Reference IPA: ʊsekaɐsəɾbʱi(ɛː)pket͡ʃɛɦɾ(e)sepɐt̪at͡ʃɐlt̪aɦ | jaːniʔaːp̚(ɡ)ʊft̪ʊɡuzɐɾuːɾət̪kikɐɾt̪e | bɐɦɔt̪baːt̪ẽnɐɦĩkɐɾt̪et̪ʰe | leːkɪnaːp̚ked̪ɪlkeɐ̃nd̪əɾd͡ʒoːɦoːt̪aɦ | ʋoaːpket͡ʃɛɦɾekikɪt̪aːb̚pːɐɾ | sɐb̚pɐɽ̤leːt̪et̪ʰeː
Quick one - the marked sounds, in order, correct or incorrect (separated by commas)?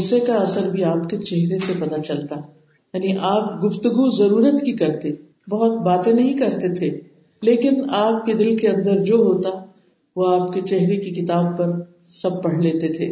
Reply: incorrect, correct, correct